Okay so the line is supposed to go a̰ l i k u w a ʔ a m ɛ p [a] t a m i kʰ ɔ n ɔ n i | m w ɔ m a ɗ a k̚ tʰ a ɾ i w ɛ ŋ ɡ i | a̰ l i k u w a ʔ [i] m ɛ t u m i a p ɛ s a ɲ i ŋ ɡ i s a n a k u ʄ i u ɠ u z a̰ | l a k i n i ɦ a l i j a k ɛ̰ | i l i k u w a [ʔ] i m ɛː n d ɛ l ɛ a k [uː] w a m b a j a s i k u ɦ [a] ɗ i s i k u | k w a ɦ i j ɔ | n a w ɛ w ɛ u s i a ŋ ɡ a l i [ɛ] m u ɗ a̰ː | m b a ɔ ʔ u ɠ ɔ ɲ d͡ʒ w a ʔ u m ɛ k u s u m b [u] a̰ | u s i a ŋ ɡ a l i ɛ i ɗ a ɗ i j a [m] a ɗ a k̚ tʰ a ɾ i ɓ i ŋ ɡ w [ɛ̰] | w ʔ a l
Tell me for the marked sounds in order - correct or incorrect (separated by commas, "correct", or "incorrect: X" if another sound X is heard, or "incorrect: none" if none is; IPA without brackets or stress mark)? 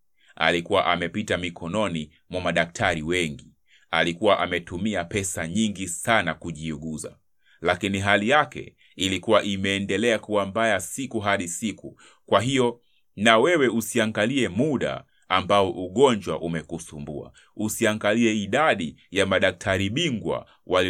incorrect: i, incorrect: a, correct, incorrect: u, correct, correct, correct, correct, incorrect: a̰